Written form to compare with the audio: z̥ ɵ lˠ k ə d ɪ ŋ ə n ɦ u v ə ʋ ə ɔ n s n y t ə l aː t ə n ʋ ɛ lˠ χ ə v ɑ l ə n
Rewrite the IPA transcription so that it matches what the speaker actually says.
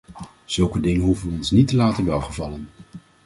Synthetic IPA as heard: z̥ ɵ lˠ k ə d ɪ ŋ ə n ɦ u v ə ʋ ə ɔ n s n i t ə l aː t ə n ʋ ɛ lˠ χ ə v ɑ l ə n